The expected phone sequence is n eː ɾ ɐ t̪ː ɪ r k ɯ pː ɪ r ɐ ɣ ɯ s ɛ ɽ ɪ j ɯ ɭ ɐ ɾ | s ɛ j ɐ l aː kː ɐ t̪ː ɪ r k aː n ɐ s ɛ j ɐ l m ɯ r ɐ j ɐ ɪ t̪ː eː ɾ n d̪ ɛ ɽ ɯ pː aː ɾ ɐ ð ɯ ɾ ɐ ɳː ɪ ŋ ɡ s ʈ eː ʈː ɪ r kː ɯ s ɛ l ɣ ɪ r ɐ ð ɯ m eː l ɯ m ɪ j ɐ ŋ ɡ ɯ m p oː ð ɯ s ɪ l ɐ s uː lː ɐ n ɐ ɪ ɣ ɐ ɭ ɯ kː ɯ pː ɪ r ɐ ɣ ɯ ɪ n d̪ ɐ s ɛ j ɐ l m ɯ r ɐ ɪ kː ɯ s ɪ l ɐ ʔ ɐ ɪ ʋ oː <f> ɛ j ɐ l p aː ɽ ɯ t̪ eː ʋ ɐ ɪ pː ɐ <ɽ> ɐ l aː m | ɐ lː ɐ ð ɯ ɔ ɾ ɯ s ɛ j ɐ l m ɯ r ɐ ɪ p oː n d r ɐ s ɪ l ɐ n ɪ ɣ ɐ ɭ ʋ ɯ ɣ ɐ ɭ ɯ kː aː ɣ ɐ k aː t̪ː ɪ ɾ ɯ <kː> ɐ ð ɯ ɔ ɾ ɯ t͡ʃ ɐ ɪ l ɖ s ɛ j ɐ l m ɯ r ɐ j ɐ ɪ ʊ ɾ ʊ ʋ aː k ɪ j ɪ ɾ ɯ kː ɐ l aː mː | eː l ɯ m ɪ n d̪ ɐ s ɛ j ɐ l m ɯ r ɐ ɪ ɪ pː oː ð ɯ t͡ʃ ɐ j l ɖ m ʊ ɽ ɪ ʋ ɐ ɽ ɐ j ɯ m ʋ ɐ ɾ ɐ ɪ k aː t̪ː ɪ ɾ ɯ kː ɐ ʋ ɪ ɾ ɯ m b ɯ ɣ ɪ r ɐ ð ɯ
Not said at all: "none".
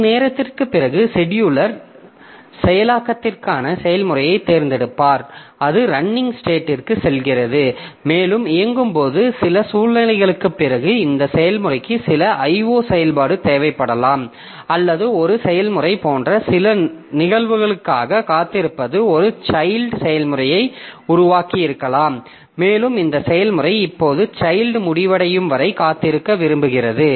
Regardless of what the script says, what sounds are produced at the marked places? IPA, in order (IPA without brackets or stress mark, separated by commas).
s, ɽ, pː